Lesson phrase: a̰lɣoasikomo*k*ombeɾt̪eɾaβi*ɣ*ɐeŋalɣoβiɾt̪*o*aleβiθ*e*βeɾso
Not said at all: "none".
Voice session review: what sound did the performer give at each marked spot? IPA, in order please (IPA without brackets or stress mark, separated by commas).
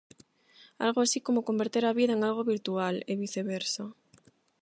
k, ð, u, e